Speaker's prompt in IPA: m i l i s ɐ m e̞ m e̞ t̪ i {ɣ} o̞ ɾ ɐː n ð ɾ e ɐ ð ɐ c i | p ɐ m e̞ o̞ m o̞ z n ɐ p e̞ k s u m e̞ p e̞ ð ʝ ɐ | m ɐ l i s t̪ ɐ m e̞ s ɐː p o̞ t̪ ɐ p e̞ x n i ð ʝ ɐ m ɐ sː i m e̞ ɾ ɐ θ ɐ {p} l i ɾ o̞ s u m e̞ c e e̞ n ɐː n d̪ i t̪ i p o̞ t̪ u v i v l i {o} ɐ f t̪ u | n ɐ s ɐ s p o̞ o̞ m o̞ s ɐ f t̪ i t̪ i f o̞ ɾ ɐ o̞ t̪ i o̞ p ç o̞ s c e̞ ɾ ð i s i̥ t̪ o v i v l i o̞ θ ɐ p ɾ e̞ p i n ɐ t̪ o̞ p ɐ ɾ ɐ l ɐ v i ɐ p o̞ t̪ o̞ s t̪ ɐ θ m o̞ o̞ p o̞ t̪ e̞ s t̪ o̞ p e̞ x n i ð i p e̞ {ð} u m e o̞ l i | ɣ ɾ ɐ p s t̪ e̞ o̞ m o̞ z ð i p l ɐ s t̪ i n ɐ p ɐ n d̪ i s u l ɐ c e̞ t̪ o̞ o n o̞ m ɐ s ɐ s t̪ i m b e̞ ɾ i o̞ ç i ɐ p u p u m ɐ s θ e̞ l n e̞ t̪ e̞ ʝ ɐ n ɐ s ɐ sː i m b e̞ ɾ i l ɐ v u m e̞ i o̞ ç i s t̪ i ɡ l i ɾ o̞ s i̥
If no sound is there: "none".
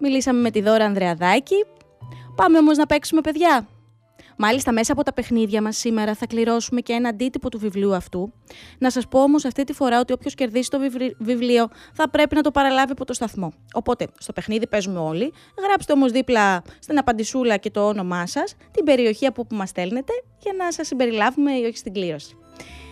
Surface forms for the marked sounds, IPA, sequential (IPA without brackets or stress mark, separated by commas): ð, k, u, z